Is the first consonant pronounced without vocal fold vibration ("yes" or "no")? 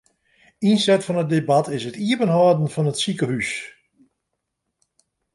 no